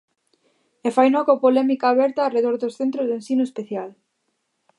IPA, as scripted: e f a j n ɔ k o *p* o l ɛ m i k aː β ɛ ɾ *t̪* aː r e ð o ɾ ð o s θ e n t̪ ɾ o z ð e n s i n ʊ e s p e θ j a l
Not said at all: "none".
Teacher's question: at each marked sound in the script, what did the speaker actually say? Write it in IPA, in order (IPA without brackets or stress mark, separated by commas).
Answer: p, t̪